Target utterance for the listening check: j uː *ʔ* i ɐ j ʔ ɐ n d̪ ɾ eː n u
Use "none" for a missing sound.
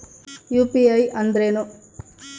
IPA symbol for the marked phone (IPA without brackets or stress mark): p